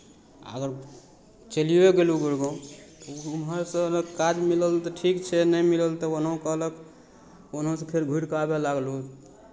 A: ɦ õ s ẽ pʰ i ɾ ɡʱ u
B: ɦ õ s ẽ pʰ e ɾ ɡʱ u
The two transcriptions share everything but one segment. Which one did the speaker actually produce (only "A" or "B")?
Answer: B